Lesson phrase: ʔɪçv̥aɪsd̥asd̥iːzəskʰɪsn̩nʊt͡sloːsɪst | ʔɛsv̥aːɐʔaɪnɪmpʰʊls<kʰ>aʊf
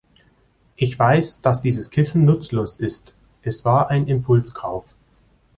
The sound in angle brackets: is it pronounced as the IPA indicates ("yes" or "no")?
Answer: yes